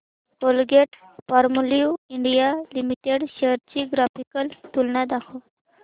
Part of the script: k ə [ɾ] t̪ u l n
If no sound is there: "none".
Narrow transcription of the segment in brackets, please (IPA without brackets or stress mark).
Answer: l